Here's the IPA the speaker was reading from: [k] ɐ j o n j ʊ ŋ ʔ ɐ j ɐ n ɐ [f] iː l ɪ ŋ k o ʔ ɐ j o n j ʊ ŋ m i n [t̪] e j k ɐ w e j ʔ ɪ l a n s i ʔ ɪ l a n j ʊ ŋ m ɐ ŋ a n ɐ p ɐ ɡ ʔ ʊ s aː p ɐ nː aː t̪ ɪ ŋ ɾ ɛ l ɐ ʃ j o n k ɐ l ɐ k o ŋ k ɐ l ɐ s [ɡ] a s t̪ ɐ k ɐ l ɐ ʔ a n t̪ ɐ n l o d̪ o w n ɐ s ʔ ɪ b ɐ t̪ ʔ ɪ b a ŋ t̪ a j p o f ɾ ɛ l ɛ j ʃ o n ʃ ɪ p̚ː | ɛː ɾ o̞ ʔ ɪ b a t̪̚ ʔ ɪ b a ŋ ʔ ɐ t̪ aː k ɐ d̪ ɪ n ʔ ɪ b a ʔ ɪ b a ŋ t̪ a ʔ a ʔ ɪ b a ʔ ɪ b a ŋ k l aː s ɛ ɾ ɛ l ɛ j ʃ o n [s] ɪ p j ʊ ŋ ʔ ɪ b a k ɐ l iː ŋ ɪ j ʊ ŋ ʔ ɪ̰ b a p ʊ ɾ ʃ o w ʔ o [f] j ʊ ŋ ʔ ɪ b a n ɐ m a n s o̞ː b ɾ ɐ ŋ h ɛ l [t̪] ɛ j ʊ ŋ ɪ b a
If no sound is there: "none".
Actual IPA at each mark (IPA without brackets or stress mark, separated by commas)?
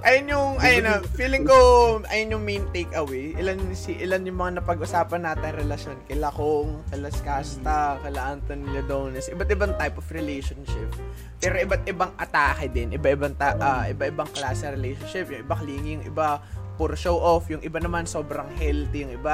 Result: ʔ, f, t̪, k, ʃ, f, t̪